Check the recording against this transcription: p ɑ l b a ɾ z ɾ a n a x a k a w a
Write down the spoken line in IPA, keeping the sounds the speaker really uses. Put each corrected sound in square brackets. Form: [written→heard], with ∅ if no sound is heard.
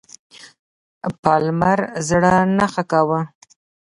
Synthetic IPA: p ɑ l [b→m] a ɾ z [ɾ→ɽ] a n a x a k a w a

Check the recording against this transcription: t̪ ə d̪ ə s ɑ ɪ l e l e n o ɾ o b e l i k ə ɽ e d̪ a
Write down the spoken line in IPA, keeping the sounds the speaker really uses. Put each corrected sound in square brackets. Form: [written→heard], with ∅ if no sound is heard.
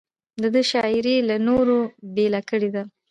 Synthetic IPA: [t̪→d̪] ə d̪ ə [s→ʃ] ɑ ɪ [l→ɾ] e l [e→a] n o ɾ o b e l [i→a] k ə ɽ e d̪ a

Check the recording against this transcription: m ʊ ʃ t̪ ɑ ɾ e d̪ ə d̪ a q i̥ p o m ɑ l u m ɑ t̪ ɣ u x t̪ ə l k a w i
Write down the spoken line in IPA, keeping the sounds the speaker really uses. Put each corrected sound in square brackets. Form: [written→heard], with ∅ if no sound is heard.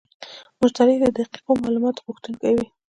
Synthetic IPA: m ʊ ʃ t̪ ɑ ɾ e d̪ ə d̪ a q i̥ [p→q] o m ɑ l u m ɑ t̪ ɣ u x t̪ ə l k a w i

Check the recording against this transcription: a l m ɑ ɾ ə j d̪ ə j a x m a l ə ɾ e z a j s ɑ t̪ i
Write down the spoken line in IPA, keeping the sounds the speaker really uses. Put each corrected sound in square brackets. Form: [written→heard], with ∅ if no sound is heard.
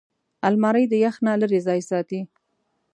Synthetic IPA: a l m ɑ ɾ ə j d̪ ə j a x [m→n] a l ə ɾ e z [a→ɑ] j s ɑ t̪ i

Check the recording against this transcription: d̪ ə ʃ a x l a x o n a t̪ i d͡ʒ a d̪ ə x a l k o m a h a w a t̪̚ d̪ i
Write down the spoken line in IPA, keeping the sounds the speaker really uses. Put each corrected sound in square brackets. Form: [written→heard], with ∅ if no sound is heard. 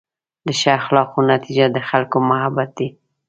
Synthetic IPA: d̪ ə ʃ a x l [a→ɑ] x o n a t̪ i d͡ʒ a d̪ ə x a l k o m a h a [w→b] a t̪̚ d̪ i

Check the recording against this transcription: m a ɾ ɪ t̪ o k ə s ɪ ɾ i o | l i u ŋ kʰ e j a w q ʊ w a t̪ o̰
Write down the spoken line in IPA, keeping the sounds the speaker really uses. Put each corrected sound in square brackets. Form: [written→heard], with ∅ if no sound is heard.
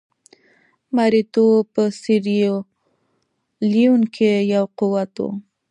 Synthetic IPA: m a ɾ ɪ t̪ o [k→p] ə s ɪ ɾ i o | l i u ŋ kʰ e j a w q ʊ w a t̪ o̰

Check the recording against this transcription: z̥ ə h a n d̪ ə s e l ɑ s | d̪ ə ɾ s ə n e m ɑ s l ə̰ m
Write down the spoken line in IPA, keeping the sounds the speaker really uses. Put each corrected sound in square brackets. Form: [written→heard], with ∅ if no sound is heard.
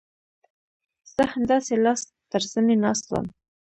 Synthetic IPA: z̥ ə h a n d̪ [ə→ɑ] s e l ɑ s | [d̪→t̪] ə ɾ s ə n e [m→n] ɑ s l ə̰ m

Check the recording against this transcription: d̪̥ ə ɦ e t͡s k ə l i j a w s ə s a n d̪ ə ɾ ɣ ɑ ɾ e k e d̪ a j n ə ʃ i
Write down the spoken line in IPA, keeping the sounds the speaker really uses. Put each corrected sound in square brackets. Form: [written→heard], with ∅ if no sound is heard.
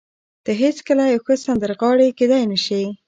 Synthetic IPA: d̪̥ ə ɦ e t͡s k ə l [i→a] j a w [s→x] ə s a n d̪ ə ɾ ɣ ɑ [ɾ→ɽ] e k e d̪ a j n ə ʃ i

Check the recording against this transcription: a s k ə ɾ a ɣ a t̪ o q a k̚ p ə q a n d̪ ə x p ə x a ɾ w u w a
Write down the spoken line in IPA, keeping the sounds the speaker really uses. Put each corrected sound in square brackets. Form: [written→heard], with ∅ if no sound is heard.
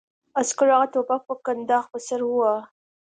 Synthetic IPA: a s k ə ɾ a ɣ a t̪ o [q→p] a k̚ p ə [q→k] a n d̪ [ə→ɑ] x p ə [x→s] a ɾ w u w a

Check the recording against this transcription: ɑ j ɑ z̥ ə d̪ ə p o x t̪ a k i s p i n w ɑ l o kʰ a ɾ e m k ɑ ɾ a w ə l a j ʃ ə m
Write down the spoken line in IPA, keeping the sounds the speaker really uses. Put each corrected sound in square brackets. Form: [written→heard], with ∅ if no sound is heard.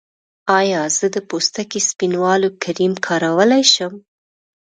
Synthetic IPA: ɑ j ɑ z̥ ə d̪ ə p o [x→s] t̪ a k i s p i n w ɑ l o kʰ a ɾ [e→i] m [k→kʰ] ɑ ɾ a w ə l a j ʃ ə m

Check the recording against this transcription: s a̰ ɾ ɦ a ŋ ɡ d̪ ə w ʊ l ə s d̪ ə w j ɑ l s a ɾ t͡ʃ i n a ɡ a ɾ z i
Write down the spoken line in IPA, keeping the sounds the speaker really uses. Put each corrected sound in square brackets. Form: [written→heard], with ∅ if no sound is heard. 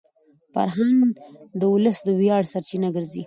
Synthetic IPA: [s→f] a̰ ɾ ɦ a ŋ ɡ d̪ ə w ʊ l ə s d̪ ə w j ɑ [l→ɽ] s a ɾ t͡ʃ i n a ɡ [a→ə] ɾ z i

